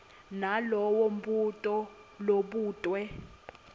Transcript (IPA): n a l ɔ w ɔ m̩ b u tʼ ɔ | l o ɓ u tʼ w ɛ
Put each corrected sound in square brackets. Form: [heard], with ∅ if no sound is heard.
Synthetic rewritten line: n a l ɔ w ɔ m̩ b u tʼ ɔ | l o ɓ [uː] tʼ w ɛ